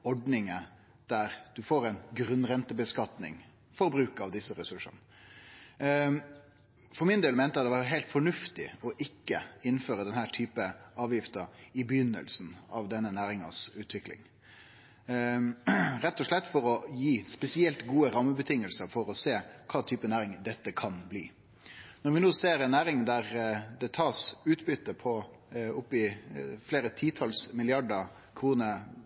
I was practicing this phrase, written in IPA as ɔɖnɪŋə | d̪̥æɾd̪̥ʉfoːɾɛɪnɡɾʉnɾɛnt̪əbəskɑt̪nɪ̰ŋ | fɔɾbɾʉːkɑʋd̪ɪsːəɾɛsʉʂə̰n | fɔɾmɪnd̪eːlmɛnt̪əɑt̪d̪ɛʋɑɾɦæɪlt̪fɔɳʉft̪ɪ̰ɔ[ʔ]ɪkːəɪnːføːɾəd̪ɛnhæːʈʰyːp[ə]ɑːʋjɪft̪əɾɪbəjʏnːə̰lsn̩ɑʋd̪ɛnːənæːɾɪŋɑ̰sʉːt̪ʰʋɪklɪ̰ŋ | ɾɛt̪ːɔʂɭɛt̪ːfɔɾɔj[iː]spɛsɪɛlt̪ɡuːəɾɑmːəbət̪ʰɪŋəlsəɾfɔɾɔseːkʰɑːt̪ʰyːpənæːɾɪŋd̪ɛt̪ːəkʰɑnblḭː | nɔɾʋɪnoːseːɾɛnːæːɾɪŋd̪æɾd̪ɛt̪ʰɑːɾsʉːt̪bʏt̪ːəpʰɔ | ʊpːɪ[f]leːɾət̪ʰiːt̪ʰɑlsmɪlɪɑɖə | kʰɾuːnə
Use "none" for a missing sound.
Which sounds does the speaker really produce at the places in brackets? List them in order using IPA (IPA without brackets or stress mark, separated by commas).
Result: ʔ, ə, iː, f